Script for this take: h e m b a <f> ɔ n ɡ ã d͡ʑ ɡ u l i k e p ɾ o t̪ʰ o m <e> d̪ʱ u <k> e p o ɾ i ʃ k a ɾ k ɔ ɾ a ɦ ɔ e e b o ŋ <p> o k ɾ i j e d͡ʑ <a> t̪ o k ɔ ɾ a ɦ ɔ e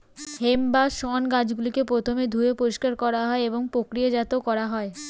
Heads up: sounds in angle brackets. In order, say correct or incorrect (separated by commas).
incorrect, correct, incorrect, correct, correct